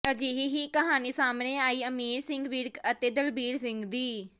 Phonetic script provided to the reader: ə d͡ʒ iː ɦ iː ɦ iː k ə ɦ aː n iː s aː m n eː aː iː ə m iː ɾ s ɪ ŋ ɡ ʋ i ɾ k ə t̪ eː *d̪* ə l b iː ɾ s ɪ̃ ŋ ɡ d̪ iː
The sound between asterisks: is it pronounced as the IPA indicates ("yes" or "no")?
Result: yes